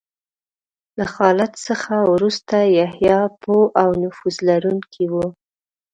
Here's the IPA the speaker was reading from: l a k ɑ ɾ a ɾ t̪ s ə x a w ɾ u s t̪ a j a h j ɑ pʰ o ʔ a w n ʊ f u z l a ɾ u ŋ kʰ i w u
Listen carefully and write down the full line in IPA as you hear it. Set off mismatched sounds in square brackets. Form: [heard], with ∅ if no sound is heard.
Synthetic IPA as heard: l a [x] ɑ [l] a [∅] t̪ s ə x a w ɾ u s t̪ a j a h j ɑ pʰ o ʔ a w n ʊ f u z l a ɾ u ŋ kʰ i w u